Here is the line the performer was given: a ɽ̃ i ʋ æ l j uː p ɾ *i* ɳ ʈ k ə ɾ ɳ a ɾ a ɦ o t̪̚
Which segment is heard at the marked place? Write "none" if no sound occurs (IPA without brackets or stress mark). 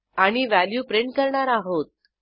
e